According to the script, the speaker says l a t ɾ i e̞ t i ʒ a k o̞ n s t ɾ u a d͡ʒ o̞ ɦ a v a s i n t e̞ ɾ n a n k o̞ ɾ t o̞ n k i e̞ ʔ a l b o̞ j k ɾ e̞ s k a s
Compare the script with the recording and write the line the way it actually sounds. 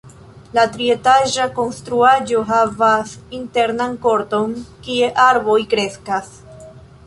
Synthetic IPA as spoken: l a t ɾ i e̞ t a ʒ a k o̞ n s t ɾ u a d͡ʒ o̞ ɦ a v a s i n t e̞ ɾ n a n k o̞ ɾ t o̞ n k i e̞ ʔ a ɾ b o̞ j k ɾ e̞ s k a s